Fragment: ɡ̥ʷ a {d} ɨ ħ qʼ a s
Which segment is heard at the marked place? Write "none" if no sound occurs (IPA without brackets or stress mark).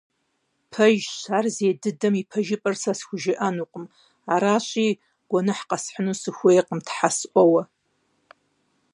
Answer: n